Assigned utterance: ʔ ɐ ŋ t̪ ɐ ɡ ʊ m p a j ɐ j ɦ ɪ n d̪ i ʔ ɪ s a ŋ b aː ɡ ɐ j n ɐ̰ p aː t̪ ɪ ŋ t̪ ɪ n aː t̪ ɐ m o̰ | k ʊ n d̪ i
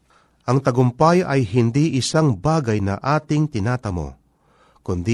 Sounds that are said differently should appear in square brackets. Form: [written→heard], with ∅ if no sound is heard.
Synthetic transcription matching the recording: ʔ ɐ ŋ t̪ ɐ ɡ ʊ m p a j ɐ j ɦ ɪ n d̪ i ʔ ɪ s a ŋ b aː ɡ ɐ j n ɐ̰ [p→ʔ] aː t̪ ɪ ŋ t̪ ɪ n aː t̪ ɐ m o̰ | k ʊ n d̪ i